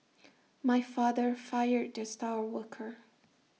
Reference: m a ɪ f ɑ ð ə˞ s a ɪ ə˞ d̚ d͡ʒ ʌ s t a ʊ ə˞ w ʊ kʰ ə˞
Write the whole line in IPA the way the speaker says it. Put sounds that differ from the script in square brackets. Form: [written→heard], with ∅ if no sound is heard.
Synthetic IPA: m a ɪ f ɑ ð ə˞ [s→f] a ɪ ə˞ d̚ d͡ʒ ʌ s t a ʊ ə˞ w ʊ kʰ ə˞

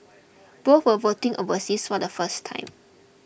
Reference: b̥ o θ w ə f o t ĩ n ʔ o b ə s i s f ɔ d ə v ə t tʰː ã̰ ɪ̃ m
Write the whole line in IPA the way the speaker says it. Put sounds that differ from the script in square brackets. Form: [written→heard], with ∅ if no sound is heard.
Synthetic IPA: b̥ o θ w ə [f→v] o t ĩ [n→ŋ] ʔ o [b→v] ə s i s f ɔ d ə [v→f] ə [t→s] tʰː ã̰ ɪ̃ m

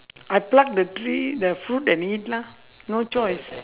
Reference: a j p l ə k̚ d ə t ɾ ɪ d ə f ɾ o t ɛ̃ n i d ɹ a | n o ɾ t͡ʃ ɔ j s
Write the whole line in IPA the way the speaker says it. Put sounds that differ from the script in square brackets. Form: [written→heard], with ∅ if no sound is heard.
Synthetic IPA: a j p l [ə→a] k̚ d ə t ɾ [ɪ→i] d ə f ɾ [o→u] t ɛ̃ n i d [ɹ→l] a | n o [ɾ→∅] t͡ʃ ɔ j s

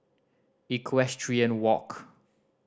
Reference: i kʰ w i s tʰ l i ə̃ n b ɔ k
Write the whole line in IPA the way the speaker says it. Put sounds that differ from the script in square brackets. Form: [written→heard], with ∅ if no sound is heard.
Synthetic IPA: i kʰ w [i→ɛ] s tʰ [l→ɹ] i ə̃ n [b→w] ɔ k

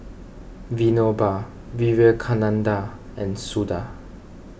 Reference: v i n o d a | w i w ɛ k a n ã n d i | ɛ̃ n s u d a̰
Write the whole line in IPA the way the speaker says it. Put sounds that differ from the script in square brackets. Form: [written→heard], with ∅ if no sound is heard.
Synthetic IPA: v i n o [d→b] a | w i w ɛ [k→kʰ] a n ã n d [i→a] | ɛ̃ n s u d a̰

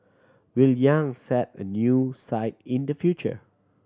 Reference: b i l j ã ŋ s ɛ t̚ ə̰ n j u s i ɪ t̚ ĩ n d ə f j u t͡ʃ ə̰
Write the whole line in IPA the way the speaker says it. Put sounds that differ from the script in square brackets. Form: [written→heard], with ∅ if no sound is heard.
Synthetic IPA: [b→w] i l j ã ŋ s ɛ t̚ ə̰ n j u s [i→a] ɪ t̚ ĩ n d ə f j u t͡ʃ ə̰

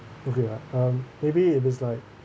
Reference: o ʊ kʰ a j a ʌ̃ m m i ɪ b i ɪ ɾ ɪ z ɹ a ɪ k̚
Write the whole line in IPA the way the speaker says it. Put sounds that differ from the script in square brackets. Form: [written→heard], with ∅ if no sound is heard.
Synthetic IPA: o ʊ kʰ [a→e] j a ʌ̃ m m [i→e] ɪ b i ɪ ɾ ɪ z [ɹ→l] a ɪ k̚

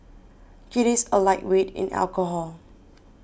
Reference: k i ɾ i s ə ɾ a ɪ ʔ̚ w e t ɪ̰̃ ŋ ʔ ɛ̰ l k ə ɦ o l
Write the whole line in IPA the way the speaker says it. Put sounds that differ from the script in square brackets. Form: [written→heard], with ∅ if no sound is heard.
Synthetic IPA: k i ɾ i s ə [ɾ→l] a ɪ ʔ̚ w e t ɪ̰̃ [ŋ→n] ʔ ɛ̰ l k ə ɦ [o→ɔ] l

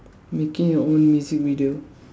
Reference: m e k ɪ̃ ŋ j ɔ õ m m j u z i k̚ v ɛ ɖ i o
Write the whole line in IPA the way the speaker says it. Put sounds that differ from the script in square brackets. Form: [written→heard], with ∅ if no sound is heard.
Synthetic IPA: m e k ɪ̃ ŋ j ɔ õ [m→n] m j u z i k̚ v [ɛ→i] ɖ i o

